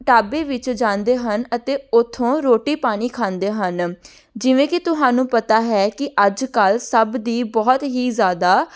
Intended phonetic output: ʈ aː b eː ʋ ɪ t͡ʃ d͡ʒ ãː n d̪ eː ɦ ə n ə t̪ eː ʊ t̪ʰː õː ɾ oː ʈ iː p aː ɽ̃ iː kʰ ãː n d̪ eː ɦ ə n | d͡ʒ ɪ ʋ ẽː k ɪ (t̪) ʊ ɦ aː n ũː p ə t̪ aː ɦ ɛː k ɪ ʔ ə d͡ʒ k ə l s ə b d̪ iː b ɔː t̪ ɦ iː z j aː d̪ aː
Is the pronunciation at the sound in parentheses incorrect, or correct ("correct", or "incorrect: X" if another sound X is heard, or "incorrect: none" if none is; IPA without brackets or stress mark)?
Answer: correct